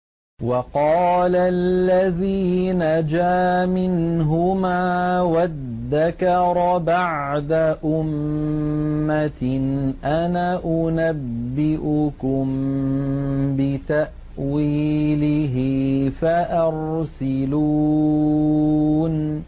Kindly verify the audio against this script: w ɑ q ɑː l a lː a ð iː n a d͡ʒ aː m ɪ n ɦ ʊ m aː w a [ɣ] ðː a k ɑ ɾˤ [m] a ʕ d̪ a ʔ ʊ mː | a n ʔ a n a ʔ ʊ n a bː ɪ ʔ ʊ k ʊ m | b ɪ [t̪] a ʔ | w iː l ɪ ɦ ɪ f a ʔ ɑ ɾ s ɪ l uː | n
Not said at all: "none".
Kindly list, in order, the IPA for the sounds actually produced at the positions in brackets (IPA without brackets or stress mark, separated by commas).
ð, b, t̪